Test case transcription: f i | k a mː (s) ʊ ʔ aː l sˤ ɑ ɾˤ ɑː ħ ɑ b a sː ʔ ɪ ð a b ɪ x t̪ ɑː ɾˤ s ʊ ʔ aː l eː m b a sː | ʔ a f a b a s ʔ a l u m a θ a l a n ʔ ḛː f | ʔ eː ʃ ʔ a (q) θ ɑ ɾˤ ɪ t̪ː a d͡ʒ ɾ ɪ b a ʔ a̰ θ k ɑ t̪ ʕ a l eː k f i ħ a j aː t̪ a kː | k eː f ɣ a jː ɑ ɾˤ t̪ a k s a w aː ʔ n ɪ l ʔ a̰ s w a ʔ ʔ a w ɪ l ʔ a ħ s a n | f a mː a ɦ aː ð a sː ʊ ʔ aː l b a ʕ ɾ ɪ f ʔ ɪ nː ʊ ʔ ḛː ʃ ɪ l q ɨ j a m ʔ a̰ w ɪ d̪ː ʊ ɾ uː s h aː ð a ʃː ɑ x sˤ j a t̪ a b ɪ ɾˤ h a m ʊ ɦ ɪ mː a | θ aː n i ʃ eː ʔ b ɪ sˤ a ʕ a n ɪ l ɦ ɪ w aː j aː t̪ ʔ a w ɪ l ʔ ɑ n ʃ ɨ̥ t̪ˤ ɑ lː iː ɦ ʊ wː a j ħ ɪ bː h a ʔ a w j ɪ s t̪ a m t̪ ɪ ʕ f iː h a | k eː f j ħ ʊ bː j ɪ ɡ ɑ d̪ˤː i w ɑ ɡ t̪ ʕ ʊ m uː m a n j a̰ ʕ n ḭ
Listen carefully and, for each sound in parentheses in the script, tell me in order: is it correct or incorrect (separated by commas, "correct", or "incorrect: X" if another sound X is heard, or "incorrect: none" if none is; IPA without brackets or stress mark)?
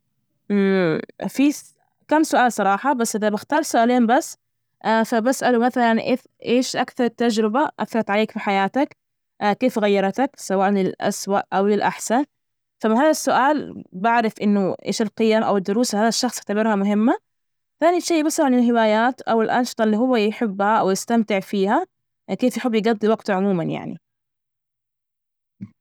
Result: correct, incorrect: k